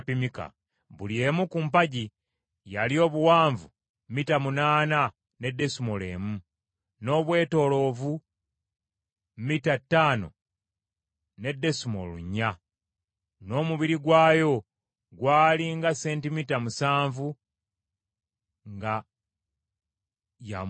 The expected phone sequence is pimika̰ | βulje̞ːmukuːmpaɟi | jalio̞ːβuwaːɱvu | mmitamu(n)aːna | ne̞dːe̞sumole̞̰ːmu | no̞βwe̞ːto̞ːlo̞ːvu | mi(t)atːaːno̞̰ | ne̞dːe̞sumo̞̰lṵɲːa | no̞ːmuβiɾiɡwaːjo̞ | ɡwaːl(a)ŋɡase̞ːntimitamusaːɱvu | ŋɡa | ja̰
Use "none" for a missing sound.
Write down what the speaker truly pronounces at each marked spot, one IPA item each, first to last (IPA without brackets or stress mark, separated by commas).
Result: n, t, i